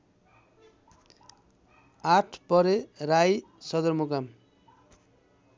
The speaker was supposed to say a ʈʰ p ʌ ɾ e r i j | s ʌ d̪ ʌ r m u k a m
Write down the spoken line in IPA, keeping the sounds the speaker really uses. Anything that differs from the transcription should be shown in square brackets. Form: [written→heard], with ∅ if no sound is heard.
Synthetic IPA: a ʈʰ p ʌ ɾ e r [i→a] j | s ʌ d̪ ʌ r m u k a m